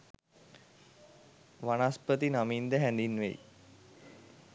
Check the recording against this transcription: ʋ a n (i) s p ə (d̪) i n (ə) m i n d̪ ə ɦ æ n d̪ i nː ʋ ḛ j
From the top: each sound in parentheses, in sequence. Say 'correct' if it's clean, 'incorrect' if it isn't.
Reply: incorrect, incorrect, incorrect

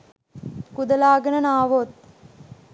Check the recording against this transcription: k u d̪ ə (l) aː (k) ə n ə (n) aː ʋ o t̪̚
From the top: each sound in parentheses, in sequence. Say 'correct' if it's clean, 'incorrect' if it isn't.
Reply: correct, incorrect, correct

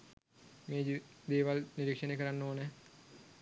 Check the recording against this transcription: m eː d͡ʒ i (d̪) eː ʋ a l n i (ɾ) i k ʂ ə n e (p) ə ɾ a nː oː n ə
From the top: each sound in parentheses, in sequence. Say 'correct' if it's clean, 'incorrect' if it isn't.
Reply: correct, correct, incorrect

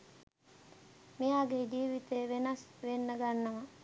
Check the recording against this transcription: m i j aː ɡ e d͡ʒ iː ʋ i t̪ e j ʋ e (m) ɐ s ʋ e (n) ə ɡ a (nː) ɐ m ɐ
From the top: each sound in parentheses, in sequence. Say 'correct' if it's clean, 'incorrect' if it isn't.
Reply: incorrect, incorrect, correct

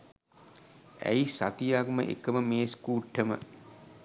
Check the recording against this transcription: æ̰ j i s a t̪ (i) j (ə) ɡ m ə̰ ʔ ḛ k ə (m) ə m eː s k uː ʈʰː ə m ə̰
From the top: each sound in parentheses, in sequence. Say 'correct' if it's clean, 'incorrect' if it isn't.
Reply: correct, incorrect, correct

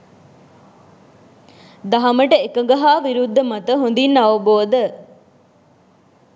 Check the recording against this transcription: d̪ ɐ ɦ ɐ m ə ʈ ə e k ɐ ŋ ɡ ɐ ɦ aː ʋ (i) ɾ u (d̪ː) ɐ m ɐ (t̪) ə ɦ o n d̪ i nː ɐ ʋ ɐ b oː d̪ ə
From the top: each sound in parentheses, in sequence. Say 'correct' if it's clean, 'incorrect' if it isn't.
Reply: correct, correct, correct

